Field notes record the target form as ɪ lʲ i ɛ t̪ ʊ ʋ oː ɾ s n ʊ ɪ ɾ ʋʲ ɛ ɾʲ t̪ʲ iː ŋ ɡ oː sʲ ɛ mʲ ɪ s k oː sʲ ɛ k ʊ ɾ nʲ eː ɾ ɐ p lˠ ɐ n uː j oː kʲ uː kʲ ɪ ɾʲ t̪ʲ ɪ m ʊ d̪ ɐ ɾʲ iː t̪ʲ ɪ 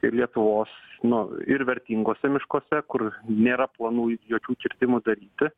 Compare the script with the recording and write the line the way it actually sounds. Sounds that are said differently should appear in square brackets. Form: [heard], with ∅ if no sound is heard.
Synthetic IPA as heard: ɪ lʲ i ɛ t̪ ʊ ʋ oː [∅] s n ʊ ɪ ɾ ʋʲ ɛ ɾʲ t̪ʲ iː ŋ ɡ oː sʲ ɛ mʲ ɪ [ʃ] k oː sʲ ɛ k ʊ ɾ nʲ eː ɾ ɐ p lˠ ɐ n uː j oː kʲ uː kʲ ɪ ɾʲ t̪ʲ ɪ m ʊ d̪ ɐ ɾʲ iː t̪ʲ ɪ